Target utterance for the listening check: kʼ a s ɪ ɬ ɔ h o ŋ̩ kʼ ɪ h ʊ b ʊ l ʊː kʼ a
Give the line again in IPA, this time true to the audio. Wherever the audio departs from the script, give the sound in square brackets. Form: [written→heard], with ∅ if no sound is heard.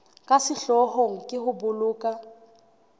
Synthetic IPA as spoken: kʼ a s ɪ ɬ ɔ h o ŋ̩ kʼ ɪ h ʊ b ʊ l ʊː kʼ a